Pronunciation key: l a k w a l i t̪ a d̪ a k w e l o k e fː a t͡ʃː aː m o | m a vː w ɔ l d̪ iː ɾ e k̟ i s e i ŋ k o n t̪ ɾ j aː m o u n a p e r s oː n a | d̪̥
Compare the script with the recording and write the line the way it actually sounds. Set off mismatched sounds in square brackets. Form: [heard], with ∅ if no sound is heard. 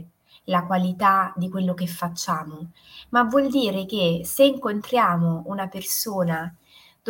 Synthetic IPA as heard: l a k w a l i t̪ a d̪ [i] k w e [lː] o k e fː a t͡ʃː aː m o | m a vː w ɔ l d̪ iː ɾ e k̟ [e] s e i ŋ k o n t̪ ɾ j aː m o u n a p e r s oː n a | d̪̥